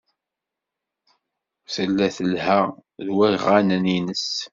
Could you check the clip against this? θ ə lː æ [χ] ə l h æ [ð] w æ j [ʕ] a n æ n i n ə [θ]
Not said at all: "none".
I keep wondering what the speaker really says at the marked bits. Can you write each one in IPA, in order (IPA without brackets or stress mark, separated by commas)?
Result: θ, ð, ʁ, s